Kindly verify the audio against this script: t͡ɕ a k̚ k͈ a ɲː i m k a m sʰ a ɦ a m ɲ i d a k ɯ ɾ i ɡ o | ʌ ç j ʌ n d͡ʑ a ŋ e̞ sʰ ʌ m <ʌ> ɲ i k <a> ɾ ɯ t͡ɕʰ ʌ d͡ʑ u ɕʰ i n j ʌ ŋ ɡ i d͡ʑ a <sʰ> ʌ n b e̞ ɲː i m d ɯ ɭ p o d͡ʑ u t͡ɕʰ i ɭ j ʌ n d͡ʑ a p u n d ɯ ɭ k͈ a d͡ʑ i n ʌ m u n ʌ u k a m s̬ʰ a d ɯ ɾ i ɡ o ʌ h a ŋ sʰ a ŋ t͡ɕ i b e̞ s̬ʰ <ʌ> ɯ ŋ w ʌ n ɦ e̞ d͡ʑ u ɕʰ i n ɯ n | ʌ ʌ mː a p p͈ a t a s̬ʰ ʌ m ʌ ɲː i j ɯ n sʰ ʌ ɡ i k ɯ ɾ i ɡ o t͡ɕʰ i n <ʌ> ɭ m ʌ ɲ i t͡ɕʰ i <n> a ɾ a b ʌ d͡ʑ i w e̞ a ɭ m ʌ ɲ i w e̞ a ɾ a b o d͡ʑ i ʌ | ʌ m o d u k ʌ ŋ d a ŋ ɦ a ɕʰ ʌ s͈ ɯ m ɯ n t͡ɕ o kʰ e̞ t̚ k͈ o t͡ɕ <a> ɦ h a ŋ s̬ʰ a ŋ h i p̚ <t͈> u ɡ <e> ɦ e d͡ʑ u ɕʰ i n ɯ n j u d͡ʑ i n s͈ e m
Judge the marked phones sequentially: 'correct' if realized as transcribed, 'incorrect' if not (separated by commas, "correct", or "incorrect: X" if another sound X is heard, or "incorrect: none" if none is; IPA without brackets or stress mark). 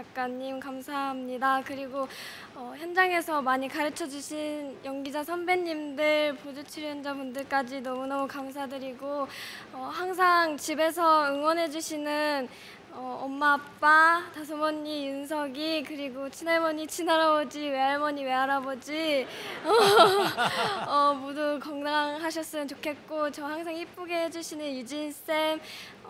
incorrect: a, correct, correct, correct, incorrect: a, correct, incorrect: ʌ, incorrect: p͈, correct